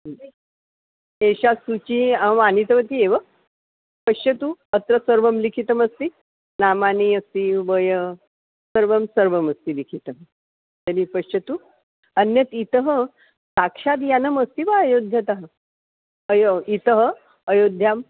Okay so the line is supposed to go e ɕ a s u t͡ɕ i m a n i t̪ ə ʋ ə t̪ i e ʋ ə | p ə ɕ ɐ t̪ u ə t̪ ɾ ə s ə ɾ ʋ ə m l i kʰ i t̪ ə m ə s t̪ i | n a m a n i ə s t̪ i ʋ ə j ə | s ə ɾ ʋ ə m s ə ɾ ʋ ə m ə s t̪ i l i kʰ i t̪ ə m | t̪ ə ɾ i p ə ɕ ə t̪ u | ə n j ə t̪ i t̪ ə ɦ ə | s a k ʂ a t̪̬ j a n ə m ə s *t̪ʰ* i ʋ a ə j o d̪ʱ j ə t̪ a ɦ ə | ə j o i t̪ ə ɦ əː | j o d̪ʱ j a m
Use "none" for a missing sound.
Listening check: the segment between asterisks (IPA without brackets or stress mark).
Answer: t̪